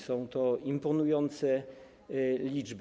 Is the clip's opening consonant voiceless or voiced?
voiceless